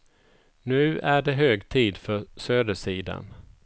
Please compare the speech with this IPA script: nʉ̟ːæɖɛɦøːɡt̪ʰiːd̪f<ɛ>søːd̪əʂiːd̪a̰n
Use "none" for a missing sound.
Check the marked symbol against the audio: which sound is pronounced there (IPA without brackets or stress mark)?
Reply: œ